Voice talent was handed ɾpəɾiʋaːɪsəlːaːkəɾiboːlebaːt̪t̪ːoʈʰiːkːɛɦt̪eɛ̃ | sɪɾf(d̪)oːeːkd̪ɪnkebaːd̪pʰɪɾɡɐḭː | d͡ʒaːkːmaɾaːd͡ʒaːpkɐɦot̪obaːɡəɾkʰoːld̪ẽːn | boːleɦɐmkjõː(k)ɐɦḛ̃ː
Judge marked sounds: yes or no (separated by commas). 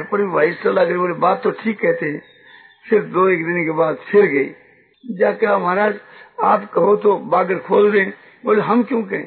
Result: yes, yes